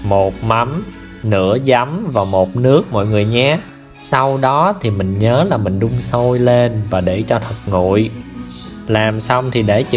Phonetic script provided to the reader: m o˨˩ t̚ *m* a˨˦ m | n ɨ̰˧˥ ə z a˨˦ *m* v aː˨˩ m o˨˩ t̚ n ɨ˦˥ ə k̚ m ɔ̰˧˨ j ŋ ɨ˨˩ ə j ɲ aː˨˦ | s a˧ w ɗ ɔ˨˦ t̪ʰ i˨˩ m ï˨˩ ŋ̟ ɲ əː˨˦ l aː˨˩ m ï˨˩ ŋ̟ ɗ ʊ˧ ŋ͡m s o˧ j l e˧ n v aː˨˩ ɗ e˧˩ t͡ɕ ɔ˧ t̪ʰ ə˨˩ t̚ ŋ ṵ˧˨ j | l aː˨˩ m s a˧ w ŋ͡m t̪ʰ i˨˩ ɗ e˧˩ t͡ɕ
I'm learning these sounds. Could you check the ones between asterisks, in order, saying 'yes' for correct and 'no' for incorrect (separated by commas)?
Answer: yes, yes